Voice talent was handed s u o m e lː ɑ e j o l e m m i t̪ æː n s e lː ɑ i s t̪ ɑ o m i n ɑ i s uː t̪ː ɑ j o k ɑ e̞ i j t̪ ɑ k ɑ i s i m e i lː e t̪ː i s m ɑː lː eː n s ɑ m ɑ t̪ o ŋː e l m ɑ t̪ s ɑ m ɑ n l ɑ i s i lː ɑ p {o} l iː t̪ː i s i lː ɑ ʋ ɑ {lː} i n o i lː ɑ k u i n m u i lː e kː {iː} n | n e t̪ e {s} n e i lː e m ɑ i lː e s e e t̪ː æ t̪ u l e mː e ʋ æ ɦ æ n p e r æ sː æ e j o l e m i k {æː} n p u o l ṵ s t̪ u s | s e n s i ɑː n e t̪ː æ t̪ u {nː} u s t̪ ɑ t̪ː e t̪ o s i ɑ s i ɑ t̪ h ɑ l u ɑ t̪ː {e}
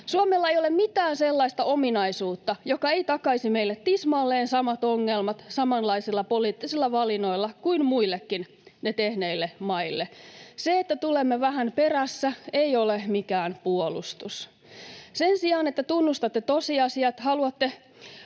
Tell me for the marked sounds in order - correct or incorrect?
correct, incorrect: l, incorrect: i, incorrect: h, correct, correct, correct

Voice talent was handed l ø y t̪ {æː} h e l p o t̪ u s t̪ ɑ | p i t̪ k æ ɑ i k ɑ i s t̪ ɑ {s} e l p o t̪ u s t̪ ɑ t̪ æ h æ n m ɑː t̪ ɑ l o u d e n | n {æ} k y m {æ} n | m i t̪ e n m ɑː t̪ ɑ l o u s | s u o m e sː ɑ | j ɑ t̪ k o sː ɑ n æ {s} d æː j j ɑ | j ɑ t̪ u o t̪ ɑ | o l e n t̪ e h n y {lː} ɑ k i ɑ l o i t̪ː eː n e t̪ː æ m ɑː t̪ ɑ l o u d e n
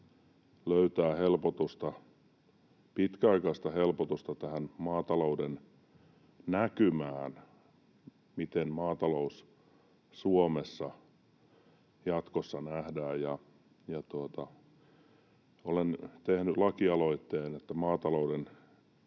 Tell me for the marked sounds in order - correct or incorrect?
correct, incorrect: h, correct, incorrect: æː, incorrect: h, incorrect: l

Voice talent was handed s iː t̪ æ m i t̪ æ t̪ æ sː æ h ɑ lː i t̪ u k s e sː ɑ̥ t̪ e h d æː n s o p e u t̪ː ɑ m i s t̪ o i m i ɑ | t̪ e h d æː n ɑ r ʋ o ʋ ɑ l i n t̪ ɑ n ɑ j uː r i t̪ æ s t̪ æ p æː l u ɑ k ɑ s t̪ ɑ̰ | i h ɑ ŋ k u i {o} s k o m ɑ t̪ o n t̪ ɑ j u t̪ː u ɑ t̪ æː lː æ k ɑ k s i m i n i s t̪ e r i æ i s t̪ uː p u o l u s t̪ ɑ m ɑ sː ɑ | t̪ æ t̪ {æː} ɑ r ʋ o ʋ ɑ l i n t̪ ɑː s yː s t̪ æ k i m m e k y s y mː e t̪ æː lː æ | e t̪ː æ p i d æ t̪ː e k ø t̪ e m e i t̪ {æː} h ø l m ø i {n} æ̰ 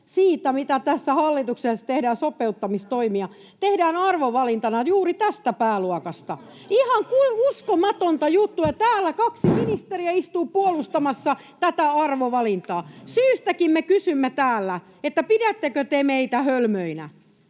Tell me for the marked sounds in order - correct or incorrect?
incorrect: u, incorrect: æ, incorrect: æ, correct

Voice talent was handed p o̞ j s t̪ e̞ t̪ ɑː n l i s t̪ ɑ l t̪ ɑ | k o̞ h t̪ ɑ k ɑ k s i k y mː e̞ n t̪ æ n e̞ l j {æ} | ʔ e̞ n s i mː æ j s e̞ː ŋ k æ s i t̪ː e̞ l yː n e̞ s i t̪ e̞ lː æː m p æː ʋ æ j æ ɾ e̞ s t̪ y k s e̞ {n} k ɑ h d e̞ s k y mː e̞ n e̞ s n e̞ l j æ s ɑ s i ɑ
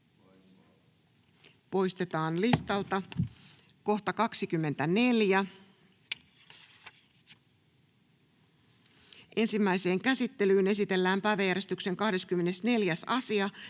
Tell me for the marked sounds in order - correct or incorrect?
correct, incorrect: ŋ

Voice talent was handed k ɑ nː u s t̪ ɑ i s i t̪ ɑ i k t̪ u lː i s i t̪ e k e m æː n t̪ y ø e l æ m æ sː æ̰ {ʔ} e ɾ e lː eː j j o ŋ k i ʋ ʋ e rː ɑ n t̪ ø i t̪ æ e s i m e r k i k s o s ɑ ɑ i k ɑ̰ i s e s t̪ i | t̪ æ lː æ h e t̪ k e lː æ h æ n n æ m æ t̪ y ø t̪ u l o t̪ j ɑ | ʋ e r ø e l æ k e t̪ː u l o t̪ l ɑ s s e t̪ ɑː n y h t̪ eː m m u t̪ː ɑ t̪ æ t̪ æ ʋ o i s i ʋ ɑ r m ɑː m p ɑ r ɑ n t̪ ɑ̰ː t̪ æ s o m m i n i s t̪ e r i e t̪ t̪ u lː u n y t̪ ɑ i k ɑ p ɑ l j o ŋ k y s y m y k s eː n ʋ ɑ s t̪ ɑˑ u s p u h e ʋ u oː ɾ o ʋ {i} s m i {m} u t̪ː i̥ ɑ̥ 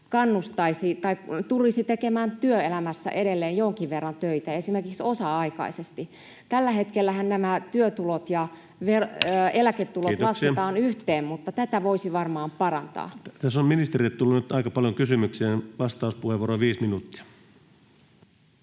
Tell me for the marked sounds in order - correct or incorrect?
correct, incorrect: iː, incorrect: n

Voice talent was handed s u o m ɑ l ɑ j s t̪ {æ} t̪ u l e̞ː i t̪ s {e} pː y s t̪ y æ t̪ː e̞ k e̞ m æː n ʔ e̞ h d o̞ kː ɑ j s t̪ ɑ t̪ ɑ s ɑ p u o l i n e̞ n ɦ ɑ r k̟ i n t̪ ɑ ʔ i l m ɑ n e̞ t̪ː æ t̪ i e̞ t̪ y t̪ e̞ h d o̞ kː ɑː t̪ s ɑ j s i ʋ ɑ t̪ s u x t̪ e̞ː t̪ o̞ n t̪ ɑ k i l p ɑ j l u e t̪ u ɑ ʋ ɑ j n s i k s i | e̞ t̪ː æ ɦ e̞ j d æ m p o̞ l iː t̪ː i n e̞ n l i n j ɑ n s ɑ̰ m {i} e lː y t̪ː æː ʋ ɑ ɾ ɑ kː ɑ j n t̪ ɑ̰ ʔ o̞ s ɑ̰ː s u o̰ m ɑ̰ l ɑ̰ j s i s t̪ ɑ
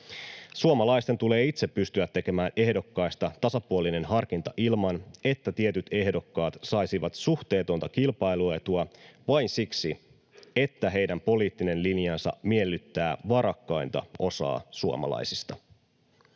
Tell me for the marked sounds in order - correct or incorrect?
incorrect: e, correct, correct

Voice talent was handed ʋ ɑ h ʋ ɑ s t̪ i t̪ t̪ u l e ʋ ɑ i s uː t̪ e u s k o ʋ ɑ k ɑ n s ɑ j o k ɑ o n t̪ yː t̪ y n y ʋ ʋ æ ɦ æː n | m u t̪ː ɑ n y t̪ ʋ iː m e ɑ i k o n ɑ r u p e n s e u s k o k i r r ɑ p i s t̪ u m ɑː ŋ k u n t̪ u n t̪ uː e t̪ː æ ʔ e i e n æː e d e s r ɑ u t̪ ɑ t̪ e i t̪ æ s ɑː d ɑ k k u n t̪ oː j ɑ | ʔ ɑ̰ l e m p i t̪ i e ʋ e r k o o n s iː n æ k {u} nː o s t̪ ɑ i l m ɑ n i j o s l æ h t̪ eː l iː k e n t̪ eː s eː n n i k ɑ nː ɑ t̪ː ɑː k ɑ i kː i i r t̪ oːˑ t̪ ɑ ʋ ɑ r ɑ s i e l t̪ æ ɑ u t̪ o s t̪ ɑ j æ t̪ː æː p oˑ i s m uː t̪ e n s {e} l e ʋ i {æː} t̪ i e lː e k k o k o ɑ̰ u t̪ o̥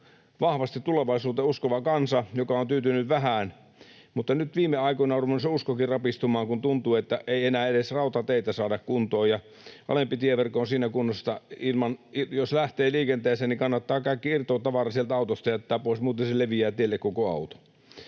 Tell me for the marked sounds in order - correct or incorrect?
correct, correct, correct

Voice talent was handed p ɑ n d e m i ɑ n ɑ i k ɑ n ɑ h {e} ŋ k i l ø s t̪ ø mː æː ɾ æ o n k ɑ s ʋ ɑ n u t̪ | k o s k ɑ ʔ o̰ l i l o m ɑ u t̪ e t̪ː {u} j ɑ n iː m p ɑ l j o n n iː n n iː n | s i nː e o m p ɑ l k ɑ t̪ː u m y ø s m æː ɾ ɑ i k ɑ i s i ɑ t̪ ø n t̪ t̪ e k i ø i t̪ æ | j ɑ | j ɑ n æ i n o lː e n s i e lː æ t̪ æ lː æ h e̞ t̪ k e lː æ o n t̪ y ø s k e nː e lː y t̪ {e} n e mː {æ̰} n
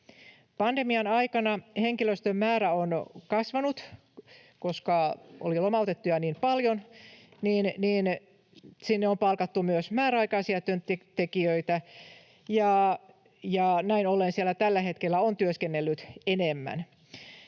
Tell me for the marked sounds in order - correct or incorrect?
correct, correct, correct, correct

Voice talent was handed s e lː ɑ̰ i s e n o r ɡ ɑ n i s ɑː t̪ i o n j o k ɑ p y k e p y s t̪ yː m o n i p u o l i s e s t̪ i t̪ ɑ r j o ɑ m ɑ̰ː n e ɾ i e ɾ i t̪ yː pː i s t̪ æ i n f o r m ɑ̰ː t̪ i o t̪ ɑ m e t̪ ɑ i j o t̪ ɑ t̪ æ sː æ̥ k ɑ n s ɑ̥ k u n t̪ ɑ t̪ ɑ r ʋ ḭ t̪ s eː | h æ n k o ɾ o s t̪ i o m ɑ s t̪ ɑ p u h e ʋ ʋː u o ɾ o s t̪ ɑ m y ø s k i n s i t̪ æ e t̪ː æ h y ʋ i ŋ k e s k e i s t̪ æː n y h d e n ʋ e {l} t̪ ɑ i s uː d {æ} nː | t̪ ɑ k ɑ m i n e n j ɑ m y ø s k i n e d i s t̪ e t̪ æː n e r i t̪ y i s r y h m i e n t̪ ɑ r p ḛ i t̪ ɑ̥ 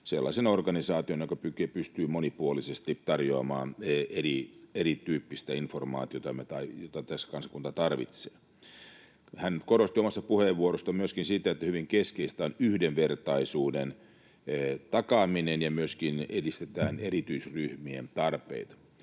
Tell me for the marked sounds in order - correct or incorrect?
incorrect: r, incorrect: e

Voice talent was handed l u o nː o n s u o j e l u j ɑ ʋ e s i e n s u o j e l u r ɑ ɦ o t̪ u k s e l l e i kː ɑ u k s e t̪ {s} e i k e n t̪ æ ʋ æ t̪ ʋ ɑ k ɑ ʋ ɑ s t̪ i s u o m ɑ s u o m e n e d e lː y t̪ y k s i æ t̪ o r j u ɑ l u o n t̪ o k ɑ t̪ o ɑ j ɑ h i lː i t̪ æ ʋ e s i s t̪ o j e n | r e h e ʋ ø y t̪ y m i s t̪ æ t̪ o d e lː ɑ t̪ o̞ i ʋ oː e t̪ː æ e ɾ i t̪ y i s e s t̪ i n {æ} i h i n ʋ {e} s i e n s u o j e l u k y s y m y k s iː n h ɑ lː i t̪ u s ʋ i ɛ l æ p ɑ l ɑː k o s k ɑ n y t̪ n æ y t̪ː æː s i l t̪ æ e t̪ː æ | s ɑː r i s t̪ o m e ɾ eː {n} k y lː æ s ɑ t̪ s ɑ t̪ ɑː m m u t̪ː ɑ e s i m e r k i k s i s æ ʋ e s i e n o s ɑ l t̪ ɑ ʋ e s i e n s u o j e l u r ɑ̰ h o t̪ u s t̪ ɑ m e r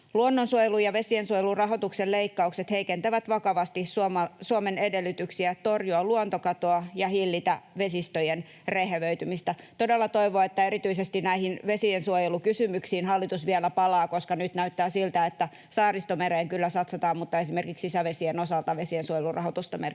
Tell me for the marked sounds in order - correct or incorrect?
incorrect: h, correct, correct, incorrect: ŋ

